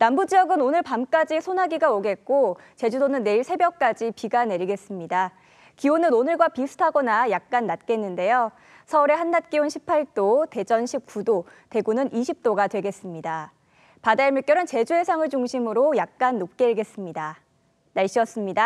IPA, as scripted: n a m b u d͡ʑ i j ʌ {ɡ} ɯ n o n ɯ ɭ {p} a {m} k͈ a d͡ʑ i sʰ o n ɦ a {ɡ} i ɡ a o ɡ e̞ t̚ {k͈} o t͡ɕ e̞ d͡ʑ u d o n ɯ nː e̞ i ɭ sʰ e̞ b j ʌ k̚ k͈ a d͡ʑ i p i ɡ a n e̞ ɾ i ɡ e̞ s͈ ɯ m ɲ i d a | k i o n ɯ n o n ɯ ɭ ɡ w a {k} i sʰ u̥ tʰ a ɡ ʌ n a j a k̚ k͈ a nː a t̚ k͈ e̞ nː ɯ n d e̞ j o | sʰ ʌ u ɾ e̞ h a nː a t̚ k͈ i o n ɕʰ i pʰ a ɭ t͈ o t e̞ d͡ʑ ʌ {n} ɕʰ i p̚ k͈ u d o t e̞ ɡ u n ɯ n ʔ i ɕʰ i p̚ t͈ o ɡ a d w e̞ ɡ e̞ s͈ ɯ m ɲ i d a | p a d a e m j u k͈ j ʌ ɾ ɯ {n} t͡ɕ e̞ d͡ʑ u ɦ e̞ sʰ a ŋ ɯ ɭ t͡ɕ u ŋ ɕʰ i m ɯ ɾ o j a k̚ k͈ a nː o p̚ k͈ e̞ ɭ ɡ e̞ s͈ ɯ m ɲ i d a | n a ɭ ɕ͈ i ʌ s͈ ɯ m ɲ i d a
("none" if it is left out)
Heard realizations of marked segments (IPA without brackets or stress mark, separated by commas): ɡ, p, m, ɡ, k͈, p, n, n